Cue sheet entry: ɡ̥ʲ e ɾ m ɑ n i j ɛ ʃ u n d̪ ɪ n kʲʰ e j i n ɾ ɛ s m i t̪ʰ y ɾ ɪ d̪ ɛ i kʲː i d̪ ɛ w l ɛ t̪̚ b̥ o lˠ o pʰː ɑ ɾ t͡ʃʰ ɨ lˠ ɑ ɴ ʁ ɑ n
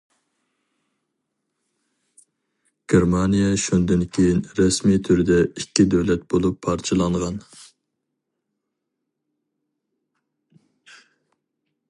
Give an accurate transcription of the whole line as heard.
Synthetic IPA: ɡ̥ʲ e ɾ m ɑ n i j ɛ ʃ u n d̪ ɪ n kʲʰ e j i n ɾ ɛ s m i t̪ʰ y ɾ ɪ d̪ ɛ i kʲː i d̪ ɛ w l ɛ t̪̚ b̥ o lˠ u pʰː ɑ ɾ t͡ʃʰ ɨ lˠ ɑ ɴ ʁ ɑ n